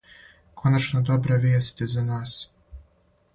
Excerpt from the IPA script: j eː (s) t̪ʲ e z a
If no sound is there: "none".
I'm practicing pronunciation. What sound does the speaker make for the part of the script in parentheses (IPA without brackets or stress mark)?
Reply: s